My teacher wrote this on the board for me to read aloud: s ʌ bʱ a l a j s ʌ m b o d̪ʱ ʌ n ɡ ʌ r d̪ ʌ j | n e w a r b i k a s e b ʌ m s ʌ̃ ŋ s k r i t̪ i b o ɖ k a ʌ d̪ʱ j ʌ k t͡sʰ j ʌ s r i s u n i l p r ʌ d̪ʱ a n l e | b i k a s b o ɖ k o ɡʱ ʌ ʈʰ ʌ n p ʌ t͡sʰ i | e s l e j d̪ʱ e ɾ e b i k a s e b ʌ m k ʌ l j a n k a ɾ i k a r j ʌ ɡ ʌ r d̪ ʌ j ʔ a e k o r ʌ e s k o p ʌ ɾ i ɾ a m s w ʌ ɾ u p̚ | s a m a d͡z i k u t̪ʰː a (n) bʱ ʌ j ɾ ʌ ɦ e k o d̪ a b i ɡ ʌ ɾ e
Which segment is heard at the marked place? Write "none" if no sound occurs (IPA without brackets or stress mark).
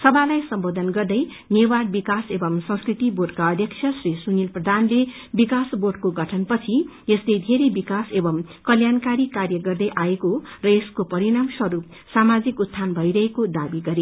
n